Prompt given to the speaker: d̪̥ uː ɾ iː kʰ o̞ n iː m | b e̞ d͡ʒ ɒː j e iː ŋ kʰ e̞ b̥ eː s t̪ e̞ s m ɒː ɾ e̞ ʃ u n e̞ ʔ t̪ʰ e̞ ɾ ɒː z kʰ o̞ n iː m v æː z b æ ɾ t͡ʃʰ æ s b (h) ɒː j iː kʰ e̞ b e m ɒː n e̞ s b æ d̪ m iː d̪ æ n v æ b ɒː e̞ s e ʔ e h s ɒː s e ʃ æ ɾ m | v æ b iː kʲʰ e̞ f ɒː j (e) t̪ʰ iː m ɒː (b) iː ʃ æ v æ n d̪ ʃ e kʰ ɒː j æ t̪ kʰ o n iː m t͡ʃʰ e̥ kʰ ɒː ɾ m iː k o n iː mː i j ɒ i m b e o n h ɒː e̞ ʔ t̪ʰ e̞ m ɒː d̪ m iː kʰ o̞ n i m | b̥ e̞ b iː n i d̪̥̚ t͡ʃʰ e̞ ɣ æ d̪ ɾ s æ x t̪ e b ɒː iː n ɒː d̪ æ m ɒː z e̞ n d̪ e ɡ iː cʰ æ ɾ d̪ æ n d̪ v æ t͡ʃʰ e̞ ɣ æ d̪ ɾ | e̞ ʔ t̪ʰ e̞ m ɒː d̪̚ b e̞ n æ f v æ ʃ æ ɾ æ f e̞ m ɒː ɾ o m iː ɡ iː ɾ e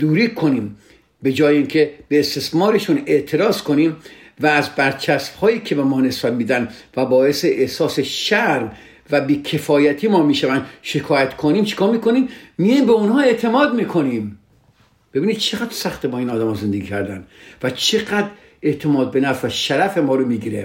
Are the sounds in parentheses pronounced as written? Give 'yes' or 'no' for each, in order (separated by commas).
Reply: yes, no, no